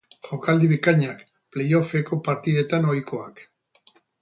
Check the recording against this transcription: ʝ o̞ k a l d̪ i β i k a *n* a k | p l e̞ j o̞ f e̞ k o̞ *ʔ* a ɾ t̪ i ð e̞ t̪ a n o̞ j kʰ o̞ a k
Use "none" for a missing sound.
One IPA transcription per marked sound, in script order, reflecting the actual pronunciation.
ɲ, p

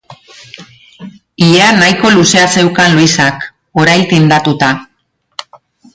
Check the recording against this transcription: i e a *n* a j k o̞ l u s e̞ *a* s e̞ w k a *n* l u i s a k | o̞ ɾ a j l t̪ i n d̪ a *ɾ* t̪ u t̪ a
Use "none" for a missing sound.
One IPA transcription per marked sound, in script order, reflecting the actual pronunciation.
n, a, n, none

